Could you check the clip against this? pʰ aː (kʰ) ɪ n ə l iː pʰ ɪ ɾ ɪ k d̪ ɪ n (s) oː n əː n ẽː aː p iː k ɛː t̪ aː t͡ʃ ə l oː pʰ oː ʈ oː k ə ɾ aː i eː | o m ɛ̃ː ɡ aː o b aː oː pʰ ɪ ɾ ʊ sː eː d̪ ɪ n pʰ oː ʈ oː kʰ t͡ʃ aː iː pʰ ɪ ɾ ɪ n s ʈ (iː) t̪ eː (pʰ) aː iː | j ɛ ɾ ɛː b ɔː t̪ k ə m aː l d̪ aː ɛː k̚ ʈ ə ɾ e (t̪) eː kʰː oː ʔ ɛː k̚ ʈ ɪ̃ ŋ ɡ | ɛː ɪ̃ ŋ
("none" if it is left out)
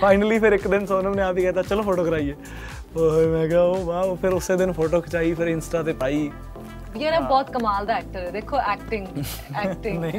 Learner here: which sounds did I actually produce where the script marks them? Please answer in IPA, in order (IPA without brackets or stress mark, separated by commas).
none, s, aː, p, d̪